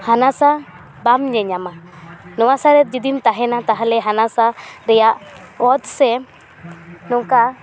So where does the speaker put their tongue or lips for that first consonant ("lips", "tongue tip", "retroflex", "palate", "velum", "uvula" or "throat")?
throat